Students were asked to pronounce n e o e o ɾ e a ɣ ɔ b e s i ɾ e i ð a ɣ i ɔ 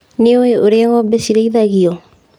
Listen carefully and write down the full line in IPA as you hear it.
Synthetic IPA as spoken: n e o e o ɾ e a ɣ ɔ b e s i ɾ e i ð a ɣ i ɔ

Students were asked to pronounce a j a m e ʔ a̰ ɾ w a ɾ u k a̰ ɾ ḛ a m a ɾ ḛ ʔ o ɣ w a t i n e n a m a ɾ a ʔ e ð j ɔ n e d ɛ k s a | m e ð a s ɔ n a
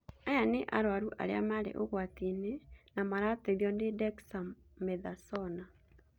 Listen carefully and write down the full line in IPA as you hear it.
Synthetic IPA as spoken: a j a n e ʔ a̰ ɾ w a ɾ u ʔ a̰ ɾ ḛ a m a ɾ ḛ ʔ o ɣ w a t i n e n a m a ɾ a t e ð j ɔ n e d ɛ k s a | m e ð a s ɔ n a

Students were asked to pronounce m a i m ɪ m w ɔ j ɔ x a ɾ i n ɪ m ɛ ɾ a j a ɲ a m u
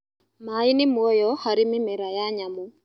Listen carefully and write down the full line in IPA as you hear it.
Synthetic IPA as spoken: m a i n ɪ m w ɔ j ɔ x a ɾ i m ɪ m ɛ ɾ a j a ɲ a m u

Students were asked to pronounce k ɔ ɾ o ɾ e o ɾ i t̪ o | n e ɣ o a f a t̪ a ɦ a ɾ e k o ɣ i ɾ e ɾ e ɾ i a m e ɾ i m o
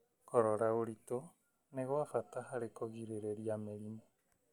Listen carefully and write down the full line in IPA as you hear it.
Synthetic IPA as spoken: k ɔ ɾ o ɾ a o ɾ i t̪ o | n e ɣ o a f a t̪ a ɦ a ɾ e k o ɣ i ɾ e ɾ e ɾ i a m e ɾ i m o

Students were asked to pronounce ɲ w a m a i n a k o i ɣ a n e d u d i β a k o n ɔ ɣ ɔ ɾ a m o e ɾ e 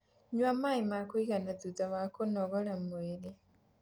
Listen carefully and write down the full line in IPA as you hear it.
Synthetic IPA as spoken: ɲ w a m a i m a k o i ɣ a n a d u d a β a k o n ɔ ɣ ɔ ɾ a m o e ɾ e

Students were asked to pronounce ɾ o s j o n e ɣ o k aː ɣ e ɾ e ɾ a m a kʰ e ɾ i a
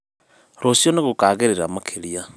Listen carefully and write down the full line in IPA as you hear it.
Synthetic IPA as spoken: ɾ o s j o n e ɣ o k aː ɣ e ɾ e ɾ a m a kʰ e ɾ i a

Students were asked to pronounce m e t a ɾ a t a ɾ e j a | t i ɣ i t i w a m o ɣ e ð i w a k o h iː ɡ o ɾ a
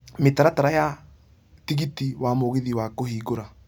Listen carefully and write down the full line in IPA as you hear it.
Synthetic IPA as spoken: m e t a ɾ a t a ɾ a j a | t i ɣ i t i w a m o ɣ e ð i w a k o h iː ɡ o ɾ a

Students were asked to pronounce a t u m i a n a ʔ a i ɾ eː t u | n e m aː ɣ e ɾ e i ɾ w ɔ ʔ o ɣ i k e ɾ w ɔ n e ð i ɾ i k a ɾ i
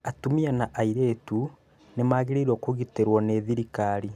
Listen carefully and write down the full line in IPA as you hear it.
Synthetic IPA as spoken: a t u m i a n a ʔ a i ɾ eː t u | n e m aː ɣ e ɾ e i ɾ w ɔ k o ɣ i t e ɾ w ɔ n e ð i ɾ i k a ɾ i

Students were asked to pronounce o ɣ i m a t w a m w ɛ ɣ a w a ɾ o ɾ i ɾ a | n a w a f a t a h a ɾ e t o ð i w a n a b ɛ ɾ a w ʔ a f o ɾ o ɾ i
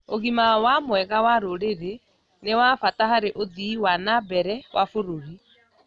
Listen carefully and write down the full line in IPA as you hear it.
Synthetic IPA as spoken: o ɣ i m a w a m w ɛ ɣ a w a ɾ o ɾ e ɾ e | n e w a f a t a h a ɾ e ʔ o ð i w a n a b ɛ ɾ ɛ w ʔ a f o ɾ o ɾ i

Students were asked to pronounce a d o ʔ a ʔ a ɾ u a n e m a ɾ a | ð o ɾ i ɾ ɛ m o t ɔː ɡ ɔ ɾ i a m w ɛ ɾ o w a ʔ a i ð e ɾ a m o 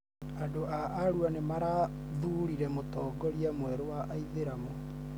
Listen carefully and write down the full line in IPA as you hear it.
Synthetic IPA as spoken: a d o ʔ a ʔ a ɾ u a n e m a ɾ a | ð u ɾ i ɾ ɛ m o t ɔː ɡ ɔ ɾ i a m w ɛ ɾ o w a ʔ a i ð e ɾ a m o

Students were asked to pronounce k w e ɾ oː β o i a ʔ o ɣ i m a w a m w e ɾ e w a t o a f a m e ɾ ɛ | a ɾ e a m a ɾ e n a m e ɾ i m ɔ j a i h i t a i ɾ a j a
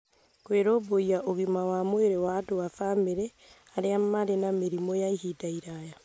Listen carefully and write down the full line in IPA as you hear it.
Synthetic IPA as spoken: k w e ɾ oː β o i a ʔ o ɣ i m a w a m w e ɾ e w a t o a f a m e ɾ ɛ | a ɾ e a m a ɾ e n a m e ɾ i m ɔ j a i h i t a i ɾ a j a

